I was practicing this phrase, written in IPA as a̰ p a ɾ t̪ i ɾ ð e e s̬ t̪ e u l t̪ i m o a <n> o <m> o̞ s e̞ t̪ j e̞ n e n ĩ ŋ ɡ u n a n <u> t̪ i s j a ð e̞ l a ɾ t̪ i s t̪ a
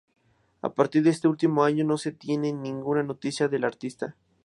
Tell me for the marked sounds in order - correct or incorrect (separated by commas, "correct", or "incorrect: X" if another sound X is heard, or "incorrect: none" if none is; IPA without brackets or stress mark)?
incorrect: ɲ, incorrect: n, incorrect: o